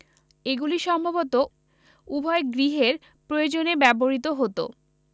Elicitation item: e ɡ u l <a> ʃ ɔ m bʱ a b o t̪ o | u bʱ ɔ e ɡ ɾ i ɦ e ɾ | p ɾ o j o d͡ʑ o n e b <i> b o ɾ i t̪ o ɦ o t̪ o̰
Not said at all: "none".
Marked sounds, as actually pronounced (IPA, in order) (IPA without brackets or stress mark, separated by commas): i, ɛ